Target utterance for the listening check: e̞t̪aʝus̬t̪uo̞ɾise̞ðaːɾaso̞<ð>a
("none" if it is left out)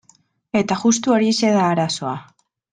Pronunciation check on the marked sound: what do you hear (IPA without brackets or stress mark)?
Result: none